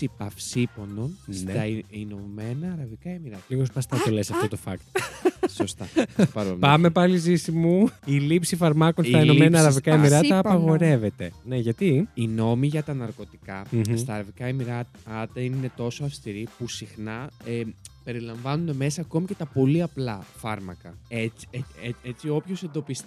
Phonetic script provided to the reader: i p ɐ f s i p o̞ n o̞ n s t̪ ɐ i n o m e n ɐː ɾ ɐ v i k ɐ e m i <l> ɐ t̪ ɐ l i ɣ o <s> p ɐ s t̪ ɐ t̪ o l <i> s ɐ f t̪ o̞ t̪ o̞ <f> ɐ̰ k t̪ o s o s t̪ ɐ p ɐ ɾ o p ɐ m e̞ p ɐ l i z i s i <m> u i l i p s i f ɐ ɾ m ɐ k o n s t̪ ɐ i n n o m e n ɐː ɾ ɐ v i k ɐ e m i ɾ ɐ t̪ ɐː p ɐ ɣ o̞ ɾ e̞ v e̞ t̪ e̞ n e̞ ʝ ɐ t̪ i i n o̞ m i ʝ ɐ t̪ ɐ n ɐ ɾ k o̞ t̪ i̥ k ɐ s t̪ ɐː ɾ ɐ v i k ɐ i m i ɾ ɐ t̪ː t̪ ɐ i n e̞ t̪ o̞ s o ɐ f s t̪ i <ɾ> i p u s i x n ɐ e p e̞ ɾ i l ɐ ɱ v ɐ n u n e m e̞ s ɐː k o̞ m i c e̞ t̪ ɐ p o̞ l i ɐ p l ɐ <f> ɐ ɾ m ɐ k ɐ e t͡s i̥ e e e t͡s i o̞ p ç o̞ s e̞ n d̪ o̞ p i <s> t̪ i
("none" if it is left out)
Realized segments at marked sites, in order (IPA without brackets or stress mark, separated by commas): ɾ, s, e, f, m, ɾ, f, s